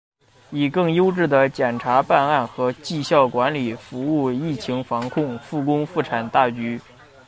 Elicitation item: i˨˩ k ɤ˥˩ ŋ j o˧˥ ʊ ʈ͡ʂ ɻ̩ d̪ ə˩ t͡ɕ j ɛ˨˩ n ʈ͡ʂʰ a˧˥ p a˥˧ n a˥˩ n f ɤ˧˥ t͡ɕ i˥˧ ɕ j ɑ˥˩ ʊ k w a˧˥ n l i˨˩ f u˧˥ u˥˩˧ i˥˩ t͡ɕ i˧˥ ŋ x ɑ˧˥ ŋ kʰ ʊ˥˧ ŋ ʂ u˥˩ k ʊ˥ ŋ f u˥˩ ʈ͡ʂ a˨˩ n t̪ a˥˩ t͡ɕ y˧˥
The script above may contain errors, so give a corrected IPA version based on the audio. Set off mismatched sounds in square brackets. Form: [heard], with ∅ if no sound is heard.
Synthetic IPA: i˨˩ k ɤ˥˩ ŋ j [o˥] ʊ ʈ͡ʂ ɻ̩ d̪ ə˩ t͡ɕ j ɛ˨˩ n ʈ͡ʂʰ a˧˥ p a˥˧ n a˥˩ n [x] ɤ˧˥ t͡ɕ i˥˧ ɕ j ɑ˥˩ ʊ k w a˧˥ n l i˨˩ f u˧˥ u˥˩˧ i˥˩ [t͡ɕʰ] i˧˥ ŋ [f] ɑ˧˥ ŋ kʰ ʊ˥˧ ŋ [f] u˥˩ k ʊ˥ ŋ f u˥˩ [ʈ͡ʂʰ] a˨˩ n t̪ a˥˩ t͡ɕ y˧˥